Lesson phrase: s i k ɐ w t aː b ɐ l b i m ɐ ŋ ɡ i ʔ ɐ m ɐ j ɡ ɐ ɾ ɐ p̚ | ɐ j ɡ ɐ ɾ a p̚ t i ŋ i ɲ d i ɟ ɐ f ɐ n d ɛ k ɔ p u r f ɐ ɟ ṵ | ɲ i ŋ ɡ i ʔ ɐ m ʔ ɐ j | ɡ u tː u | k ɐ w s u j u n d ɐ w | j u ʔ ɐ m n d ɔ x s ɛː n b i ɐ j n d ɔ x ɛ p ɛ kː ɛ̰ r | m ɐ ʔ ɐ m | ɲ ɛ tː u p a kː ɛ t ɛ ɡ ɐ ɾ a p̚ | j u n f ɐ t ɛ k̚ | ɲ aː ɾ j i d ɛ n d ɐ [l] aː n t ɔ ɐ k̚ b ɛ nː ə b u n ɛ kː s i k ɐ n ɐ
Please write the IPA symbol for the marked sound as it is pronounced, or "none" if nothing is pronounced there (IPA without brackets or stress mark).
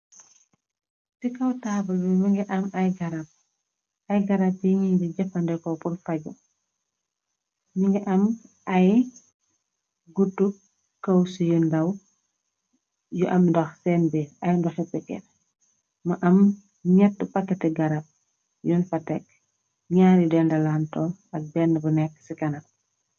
l